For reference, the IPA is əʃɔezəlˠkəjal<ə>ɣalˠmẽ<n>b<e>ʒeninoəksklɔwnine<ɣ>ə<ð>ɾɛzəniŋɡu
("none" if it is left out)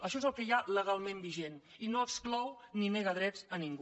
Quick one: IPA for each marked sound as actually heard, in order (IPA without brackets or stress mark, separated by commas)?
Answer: ə, m, i, ɣ, ð